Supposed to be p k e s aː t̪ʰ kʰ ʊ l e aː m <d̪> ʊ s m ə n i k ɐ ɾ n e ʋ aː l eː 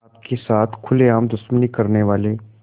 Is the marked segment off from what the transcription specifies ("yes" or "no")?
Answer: no